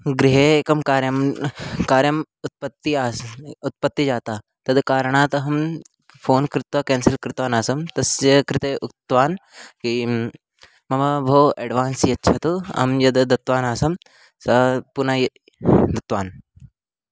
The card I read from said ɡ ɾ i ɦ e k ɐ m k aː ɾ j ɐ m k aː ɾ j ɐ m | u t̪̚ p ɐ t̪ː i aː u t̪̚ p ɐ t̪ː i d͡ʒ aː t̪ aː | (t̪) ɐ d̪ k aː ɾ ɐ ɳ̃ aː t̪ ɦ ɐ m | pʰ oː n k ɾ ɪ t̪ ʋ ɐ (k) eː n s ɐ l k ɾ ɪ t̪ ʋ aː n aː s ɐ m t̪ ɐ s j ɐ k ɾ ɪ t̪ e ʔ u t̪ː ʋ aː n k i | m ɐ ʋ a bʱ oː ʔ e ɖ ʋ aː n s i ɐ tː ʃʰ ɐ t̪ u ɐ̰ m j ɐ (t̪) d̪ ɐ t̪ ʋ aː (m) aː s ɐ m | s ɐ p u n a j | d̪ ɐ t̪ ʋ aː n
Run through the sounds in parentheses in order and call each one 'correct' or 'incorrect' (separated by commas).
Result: correct, correct, incorrect, incorrect